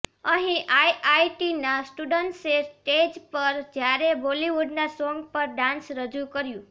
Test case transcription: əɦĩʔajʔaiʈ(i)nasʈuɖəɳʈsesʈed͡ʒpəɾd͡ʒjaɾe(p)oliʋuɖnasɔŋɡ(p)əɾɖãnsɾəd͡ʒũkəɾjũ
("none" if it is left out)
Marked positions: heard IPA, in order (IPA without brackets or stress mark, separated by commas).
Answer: i, b, p